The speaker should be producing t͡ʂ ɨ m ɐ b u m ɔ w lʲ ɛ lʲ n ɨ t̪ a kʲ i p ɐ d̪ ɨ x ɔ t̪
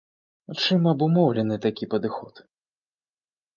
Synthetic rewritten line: t͡ʂ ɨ m ɐ b u m ɔ w lʲ ɛ n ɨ t̪ a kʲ i p ɐ d̪ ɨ x ɔ t̪